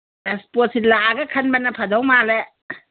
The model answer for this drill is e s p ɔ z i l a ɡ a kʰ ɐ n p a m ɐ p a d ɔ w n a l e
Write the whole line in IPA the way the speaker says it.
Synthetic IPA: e s p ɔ s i l a ɡ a kʰ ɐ n b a n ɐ pʰ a d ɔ w m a l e